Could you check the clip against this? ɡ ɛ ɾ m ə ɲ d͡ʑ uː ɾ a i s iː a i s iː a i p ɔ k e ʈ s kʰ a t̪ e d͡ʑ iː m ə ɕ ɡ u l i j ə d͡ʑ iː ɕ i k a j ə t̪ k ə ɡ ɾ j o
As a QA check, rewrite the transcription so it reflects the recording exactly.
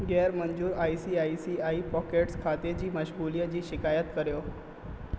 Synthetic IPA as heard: ɡ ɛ ɾ m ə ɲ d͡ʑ uː ɾ a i s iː a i s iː a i p ɔ k e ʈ s kʰ a t̪ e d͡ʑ iː m ə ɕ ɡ u l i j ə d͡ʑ iː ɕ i k a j ə t̪ k ə ɾ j o